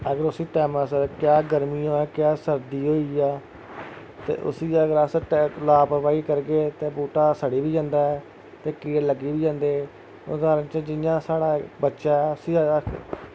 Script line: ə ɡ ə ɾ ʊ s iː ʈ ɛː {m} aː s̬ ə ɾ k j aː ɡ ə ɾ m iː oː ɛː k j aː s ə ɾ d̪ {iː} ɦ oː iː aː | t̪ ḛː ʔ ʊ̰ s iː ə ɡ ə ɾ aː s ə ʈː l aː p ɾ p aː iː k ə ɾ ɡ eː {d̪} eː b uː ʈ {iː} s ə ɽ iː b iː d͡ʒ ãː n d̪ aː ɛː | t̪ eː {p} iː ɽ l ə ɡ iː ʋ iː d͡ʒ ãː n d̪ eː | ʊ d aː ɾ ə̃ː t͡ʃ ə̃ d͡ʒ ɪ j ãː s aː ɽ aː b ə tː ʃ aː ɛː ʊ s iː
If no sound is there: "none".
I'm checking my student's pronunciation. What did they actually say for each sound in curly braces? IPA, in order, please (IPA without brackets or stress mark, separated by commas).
m, iː, t̪, aː, k